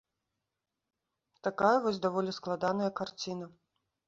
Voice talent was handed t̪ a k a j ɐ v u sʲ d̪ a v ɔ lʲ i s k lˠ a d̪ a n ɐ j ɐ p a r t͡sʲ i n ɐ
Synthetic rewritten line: t̪ a k a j ɐ v ɔ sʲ d̪ a v ɔ lʲ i s k lˠ a d̪ a n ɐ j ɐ k a r t͡sʲ i n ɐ